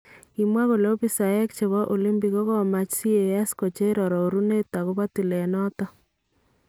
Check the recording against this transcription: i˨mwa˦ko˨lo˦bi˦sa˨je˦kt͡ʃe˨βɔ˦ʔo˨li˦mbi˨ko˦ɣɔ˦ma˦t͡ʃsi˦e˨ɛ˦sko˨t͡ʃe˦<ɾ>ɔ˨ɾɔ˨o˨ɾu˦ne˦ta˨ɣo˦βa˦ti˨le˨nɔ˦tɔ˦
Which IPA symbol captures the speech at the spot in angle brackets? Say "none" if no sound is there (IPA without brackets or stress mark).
ɾ